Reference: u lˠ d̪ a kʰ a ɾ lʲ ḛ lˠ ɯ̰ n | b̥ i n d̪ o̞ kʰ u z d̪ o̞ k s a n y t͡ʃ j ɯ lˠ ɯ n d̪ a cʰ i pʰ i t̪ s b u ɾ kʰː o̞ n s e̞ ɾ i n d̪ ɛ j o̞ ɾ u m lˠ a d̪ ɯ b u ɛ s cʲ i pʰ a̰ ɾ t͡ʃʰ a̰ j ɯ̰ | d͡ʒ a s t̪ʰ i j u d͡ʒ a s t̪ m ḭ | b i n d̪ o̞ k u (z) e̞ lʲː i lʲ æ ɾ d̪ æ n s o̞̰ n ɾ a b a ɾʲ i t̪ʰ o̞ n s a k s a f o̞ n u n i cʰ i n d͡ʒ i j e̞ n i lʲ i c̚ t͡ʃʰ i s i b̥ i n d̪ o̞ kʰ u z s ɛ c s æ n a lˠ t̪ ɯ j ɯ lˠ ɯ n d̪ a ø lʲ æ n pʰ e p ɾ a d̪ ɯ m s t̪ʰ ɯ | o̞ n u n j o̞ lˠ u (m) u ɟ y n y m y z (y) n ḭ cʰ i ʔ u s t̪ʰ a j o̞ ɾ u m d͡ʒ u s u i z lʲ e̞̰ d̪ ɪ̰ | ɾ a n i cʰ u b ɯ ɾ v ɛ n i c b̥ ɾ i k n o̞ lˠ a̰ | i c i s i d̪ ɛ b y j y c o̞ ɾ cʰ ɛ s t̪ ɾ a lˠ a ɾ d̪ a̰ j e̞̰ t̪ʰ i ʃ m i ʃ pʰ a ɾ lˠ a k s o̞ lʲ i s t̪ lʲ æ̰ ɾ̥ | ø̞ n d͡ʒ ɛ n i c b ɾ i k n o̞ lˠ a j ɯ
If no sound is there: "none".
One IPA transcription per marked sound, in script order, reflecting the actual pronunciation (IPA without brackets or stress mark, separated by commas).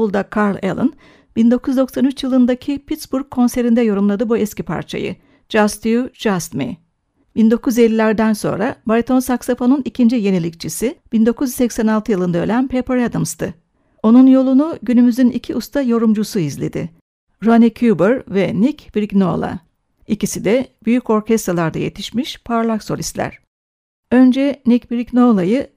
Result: z, n, y